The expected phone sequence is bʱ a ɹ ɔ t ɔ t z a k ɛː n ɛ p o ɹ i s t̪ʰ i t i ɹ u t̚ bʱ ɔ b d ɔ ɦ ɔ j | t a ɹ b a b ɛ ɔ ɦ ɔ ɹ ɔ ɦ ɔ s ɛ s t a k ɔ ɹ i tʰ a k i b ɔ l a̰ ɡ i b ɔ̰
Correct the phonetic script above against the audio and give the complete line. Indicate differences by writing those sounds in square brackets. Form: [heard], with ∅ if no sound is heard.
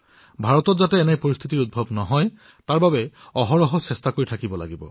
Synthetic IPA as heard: bʱ a ɹ ɔ t ɔ t z a [t] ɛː n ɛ p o ɹ i s t̪ʰ i t i ɹ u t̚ bʱ ɔ b [n] ɔ ɦ ɔ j | t a ɹ b a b ɛ ɔ ɦ ɔ ɹ ɔ ɦ ɔ s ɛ s t a k [o] ɹ i tʰ a k i b ɔ l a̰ ɡ i b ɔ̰